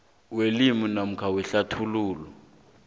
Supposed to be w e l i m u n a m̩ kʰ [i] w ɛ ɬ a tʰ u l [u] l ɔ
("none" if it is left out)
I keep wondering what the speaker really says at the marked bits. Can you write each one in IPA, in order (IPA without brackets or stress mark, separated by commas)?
a, uː